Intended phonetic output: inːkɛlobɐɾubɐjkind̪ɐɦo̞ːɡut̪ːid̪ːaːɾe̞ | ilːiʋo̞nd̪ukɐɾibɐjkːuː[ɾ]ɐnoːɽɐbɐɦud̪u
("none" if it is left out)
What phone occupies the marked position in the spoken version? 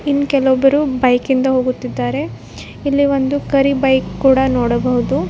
ɽ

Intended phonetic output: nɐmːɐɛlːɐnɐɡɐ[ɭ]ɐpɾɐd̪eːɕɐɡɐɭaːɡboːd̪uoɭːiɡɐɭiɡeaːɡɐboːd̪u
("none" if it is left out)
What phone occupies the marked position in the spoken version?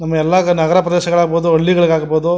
ɾ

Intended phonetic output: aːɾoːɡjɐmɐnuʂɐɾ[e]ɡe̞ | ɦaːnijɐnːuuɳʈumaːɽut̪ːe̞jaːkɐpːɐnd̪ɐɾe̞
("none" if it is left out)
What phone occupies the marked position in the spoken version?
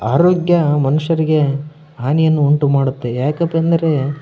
i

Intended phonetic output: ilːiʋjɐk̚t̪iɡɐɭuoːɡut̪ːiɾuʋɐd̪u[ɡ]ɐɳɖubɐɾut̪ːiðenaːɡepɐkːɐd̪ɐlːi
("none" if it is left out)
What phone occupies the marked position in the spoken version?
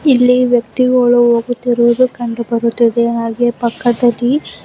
k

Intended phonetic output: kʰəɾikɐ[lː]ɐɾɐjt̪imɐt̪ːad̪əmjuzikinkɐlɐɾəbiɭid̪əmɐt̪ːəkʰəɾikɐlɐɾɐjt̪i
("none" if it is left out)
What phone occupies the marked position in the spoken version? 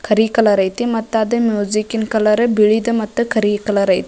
l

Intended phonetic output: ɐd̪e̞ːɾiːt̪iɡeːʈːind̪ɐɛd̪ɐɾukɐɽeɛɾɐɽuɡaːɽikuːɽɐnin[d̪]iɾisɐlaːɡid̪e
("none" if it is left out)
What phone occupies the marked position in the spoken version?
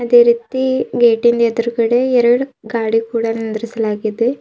d̪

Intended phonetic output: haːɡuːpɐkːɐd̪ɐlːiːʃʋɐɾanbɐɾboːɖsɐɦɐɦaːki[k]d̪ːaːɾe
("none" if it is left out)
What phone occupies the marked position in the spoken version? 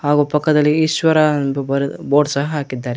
none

